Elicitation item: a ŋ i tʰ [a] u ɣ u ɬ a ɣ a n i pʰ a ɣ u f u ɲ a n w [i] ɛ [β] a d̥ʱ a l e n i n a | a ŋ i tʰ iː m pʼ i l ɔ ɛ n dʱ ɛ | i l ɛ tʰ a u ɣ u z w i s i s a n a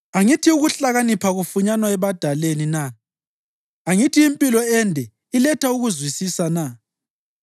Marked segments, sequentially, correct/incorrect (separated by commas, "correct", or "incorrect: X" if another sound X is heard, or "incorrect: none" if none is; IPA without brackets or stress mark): incorrect: i, incorrect: a, correct